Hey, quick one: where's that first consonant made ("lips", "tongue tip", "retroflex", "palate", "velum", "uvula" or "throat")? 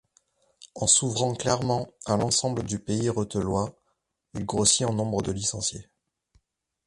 tongue tip